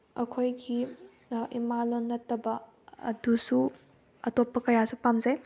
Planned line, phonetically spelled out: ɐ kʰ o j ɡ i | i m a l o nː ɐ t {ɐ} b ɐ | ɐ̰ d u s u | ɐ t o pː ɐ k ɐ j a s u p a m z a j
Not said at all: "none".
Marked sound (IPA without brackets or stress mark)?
ɐ